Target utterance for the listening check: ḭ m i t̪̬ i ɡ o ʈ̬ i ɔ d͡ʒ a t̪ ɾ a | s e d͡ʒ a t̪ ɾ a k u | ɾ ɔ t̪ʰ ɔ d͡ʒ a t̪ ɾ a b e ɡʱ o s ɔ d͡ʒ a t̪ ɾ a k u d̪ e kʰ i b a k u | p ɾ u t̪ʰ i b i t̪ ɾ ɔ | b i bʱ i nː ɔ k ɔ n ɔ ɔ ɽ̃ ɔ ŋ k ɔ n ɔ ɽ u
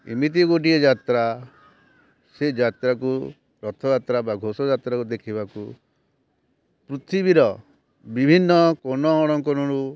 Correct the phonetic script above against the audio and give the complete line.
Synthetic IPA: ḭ m i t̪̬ i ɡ o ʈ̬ i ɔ d͡ʒ a t̪ ɾ a | s e d͡ʒ a t̪ ɾ a k u | ɾ ɔ t̪ʰ ɔ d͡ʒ a t̪ ɾ a b a ɡʱ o s ɔ d͡ʒ a t̪ ɾ a k u d̪ e kʰ i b a k u | p ɾ u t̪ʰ i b i ɾ ɔ | b i bʱ i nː ɔ k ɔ n ɔ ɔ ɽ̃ ɔ ŋ k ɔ n ɔ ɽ u